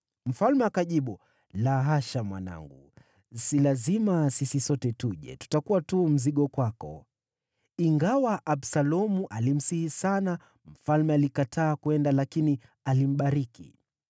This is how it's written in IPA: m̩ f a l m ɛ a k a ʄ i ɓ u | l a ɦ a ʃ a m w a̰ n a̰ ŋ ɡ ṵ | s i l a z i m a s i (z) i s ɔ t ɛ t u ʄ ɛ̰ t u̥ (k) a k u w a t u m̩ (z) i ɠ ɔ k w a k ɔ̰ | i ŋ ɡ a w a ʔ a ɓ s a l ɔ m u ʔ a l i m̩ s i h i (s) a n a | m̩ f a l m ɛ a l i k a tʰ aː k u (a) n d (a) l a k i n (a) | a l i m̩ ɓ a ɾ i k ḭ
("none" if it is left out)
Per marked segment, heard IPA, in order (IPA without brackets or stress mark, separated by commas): s, t, z, s, ɛ, a, i